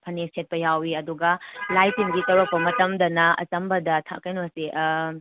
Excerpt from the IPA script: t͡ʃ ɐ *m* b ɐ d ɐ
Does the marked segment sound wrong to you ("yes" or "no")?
no